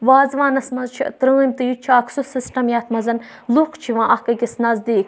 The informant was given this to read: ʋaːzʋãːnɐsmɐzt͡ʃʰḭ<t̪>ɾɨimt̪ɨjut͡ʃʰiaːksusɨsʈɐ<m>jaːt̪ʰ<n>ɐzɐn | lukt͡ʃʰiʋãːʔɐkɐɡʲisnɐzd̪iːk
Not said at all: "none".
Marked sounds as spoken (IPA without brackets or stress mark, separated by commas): t̪, m, m